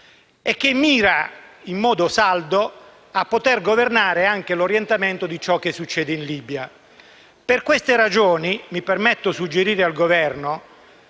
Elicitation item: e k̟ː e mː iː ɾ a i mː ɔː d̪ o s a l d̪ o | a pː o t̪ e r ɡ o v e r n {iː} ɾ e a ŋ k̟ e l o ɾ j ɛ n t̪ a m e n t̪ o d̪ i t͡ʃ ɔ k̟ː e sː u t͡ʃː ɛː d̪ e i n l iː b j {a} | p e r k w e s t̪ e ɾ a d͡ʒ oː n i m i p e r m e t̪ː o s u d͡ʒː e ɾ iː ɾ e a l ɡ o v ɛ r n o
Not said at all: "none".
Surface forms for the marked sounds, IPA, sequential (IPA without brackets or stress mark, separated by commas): aː, a